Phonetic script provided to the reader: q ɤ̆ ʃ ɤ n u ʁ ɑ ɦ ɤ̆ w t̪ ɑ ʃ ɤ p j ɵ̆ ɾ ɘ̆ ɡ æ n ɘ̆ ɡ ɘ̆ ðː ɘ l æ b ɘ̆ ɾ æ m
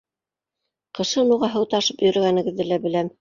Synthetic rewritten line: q ɤ̆ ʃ ɤ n u ʁ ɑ ɦ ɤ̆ w t̪ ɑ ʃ ɤ p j ɵ̆ ɾ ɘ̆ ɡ æ n ɘ̆ ɡ ɘ̆ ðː ɘ l æ b ɘ̆ l æ m